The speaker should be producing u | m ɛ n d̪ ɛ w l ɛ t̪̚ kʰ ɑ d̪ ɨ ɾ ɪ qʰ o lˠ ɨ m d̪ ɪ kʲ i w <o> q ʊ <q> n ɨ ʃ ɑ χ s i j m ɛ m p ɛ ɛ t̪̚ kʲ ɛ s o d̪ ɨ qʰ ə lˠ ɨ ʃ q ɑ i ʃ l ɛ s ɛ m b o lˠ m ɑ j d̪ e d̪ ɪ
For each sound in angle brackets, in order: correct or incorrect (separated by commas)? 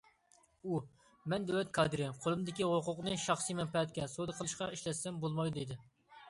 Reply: correct, correct